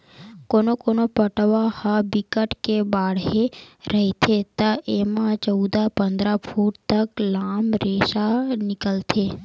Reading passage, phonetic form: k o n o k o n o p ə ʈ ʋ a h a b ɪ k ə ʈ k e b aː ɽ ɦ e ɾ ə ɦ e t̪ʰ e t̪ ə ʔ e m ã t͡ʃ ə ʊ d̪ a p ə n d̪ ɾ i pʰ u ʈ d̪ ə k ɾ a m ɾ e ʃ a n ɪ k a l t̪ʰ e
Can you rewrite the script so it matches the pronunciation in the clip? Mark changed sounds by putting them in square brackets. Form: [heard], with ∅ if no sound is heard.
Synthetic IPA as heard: k o n o k o n o p ə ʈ ʋ a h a b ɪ k ə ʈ k e b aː ɽ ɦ e ɾ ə ɦ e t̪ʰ e t̪ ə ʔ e m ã t͡ʃ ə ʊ d̪ a p ə n d̪ ɾ [a] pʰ u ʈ [t̪] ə k [l] a m ɾ e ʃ a n ɪ k [ə] l t̪ʰ e